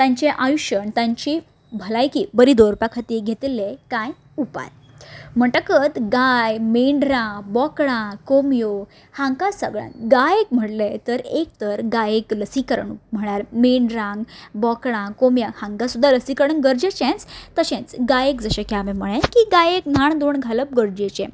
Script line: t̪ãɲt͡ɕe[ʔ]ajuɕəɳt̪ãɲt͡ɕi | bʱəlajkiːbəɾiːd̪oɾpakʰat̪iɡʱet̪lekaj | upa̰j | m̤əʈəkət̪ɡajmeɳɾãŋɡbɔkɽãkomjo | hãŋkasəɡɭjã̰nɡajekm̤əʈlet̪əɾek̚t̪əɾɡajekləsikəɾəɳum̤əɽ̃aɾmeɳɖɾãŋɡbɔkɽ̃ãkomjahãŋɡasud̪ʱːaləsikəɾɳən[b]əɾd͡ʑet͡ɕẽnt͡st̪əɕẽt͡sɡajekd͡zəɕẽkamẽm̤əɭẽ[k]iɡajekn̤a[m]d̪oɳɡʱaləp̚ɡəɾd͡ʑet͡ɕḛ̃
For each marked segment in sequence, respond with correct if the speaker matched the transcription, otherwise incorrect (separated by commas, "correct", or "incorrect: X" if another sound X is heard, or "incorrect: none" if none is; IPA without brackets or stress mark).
correct, incorrect: ɡ, correct, incorrect: ɳ